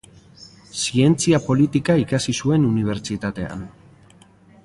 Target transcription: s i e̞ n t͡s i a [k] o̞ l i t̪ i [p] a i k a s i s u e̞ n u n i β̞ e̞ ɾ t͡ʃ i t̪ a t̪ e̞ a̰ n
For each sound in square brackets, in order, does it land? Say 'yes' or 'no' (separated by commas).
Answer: no, no